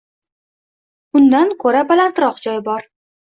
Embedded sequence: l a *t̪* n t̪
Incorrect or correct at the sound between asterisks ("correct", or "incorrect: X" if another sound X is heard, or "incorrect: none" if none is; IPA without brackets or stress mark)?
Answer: incorrect: none